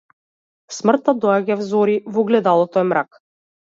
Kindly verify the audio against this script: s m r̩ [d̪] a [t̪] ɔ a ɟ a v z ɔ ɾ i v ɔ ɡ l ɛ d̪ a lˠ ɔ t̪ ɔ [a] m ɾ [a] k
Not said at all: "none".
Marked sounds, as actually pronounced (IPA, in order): t̪, d̪, ɛ, a

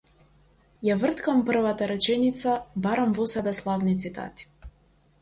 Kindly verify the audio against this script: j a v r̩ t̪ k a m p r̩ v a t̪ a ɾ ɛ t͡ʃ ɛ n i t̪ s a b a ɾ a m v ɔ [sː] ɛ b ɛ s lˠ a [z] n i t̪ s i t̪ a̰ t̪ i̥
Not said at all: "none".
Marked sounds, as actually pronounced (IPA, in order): s, v

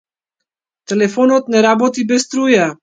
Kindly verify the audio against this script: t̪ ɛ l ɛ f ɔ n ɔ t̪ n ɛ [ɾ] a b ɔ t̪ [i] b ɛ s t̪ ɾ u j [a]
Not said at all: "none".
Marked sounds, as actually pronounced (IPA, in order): ɾ, i, a

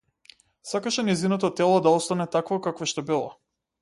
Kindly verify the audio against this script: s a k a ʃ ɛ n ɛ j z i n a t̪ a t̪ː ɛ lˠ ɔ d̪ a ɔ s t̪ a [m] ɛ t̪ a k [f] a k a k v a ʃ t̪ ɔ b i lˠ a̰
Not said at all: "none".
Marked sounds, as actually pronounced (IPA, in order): n, v

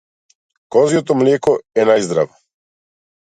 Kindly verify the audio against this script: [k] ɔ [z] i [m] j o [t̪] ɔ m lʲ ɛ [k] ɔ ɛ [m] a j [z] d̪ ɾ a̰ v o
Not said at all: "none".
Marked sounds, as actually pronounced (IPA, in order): k, z, none, t̪, k, n, z

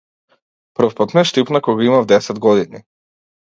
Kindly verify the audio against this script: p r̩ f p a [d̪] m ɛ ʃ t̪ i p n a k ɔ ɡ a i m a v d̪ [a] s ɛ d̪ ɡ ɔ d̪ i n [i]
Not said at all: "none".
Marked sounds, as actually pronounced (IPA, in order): t̪, ɛ, i

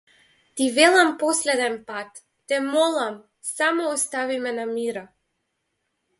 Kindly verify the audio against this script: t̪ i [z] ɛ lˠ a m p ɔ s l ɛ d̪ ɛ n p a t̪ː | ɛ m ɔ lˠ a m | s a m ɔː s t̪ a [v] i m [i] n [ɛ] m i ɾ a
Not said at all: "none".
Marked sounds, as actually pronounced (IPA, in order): v, v, ɛ, a

